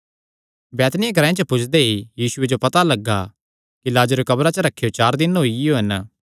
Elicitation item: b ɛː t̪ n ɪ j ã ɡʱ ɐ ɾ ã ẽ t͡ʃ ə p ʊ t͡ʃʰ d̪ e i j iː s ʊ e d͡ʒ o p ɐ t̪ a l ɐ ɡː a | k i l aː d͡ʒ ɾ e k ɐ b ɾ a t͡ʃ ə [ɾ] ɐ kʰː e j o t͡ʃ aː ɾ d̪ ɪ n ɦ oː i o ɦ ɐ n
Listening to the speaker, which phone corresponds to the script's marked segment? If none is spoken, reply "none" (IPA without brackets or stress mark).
ɾ